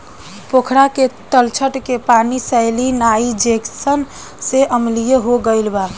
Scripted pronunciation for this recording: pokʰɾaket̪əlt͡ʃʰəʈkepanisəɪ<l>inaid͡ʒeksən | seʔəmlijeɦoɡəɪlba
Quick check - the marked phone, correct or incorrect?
correct